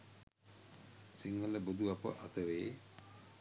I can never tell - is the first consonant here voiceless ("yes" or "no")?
yes